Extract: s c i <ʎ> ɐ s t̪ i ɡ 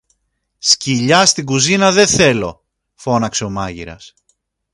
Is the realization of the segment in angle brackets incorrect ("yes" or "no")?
no